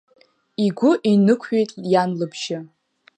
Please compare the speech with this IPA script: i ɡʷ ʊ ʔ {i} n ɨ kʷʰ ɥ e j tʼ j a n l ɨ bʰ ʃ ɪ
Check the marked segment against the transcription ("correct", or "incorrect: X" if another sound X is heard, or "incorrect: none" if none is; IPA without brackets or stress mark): correct